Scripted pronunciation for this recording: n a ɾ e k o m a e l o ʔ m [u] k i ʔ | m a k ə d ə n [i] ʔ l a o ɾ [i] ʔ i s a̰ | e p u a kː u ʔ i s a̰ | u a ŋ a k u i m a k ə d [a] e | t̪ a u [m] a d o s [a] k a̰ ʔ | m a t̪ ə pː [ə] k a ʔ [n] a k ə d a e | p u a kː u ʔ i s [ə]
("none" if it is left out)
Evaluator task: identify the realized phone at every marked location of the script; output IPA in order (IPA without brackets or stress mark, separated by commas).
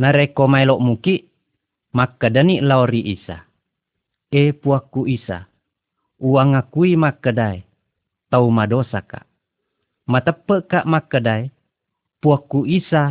u, i, i, a, m, a, ə, m, a